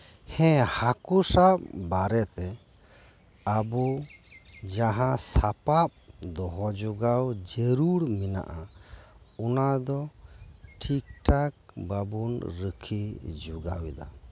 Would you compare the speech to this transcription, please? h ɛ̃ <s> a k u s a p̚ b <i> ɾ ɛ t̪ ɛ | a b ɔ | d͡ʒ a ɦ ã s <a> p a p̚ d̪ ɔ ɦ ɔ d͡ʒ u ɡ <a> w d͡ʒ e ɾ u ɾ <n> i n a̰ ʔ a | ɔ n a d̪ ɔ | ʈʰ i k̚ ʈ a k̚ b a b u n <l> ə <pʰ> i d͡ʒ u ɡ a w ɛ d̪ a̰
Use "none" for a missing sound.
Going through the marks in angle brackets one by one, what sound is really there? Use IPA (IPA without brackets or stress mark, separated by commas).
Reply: h, a, a, a, m, ɾ, kʰ